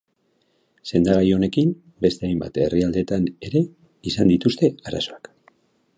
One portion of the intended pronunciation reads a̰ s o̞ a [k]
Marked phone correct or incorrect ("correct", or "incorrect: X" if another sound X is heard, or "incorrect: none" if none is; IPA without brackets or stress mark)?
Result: correct